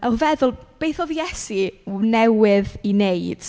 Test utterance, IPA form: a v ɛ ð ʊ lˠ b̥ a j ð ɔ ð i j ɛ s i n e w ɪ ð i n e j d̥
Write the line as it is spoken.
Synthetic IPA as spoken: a v ɛ ð ʊ lˠ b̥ e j θ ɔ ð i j ɛ s i n ɛ w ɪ ð i n e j d̥